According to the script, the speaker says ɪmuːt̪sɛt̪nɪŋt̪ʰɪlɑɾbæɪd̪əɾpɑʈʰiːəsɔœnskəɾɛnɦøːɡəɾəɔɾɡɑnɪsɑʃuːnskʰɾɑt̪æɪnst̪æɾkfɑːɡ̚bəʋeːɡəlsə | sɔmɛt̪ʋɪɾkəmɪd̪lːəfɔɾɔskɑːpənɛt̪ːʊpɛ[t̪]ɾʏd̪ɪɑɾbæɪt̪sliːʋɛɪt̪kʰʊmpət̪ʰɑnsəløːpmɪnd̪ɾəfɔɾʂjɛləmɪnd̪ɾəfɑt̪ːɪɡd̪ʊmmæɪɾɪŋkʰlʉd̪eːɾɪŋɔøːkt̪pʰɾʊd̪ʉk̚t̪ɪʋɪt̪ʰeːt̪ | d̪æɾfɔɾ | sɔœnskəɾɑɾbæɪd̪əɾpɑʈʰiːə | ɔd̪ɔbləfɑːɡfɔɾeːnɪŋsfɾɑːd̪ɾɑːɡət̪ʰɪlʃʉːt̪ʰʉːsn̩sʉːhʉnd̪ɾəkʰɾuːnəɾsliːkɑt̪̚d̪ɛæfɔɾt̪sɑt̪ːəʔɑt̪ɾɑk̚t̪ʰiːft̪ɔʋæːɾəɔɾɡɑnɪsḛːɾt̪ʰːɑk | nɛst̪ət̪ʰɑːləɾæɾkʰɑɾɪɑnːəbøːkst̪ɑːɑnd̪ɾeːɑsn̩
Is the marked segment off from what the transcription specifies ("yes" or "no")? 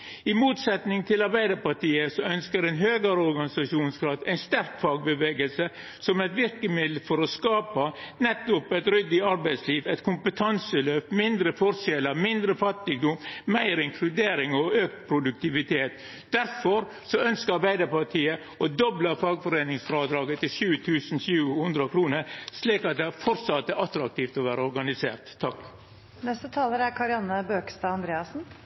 no